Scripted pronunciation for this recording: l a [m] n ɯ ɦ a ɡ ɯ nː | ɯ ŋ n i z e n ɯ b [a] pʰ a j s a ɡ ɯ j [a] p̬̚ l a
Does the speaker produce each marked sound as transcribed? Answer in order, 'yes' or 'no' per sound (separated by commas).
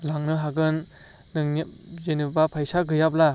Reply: no, yes, yes